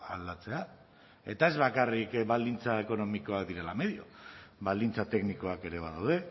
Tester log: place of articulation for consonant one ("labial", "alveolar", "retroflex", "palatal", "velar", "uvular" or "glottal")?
alveolar